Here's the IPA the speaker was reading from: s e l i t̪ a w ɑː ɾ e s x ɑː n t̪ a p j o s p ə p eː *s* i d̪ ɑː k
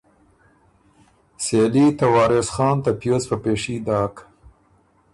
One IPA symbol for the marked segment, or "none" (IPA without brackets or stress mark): ʂ